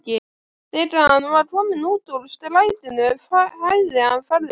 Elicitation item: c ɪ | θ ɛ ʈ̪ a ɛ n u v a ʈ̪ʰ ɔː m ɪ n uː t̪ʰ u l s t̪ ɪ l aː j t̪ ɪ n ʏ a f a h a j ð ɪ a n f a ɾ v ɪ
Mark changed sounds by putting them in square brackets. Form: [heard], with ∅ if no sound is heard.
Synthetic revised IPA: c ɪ | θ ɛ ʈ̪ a [a] n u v a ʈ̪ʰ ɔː m ɪ n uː [t̪] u l s t̪ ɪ l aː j t̪ ɪ n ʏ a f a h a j ð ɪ a n f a ɾ [ð] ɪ